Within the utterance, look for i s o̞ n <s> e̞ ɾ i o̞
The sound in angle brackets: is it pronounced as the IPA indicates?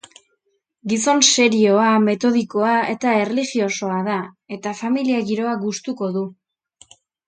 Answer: yes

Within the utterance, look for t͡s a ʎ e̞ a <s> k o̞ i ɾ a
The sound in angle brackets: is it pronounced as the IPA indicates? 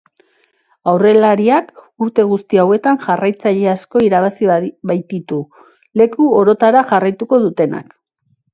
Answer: yes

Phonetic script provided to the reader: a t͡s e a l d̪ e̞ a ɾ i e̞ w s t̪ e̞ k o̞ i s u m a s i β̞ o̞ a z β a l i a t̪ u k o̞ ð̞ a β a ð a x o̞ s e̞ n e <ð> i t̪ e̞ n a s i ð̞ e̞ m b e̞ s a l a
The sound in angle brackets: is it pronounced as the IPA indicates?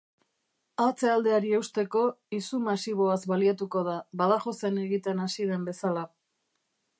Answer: no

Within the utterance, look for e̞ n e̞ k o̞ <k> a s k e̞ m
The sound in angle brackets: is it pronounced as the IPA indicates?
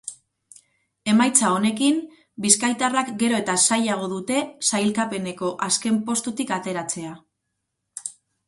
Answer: no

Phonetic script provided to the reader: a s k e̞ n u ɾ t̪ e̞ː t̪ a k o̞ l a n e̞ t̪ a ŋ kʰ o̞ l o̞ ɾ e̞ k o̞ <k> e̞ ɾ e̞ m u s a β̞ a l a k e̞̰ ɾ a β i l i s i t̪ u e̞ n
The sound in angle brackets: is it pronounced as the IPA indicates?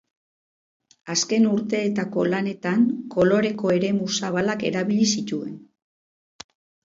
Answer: no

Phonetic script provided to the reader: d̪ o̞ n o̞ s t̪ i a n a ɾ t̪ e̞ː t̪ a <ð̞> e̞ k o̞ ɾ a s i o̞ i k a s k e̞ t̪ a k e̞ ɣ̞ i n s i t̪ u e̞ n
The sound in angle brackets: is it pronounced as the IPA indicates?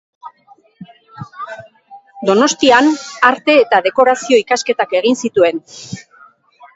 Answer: yes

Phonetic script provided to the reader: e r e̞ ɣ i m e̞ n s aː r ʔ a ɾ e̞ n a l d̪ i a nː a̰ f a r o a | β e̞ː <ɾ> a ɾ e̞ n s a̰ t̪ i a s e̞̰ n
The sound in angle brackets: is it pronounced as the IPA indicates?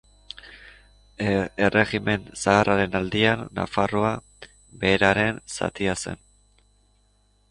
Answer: yes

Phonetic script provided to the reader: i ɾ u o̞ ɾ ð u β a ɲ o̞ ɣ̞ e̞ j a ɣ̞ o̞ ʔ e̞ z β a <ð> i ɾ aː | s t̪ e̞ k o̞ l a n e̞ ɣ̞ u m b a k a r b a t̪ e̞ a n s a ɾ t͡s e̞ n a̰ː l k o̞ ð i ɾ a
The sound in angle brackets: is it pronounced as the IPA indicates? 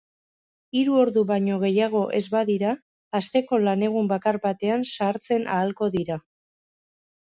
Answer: yes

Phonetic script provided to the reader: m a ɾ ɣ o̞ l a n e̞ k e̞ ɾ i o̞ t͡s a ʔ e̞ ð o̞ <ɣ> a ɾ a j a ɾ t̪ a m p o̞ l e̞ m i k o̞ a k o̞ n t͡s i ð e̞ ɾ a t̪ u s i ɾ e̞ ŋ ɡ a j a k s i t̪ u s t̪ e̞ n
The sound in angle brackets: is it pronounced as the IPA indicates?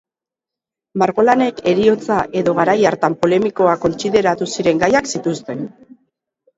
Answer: yes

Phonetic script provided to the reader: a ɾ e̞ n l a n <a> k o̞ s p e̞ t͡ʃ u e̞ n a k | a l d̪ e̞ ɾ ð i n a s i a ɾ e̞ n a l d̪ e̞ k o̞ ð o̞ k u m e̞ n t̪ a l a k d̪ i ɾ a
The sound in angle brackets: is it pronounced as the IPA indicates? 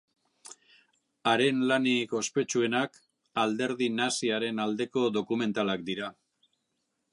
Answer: no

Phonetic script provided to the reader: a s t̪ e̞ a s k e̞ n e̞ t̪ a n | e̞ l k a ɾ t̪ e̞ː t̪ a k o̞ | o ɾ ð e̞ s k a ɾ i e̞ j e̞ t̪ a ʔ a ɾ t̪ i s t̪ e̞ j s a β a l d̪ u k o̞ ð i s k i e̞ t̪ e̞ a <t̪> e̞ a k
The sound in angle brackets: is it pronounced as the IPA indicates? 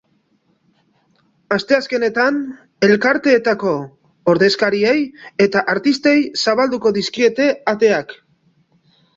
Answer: yes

